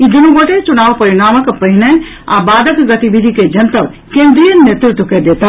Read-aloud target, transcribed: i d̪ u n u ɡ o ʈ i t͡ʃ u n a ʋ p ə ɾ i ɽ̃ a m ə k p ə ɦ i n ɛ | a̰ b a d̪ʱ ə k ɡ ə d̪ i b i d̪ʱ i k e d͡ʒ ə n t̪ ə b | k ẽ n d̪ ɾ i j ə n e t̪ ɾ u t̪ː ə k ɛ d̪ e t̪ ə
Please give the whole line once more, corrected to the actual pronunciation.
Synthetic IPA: i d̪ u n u ɡ o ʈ e t͡ʃ u n a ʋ p ə ɾ i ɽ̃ a m ə k p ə ɦ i n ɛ | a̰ b a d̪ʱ ə k ɡ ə t̪ i b i d̪ʱ i k e d͡ʒ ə n t̪ ə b | k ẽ n d̪ ɾ i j ə n e t̪ ɾ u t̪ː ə k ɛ d̪ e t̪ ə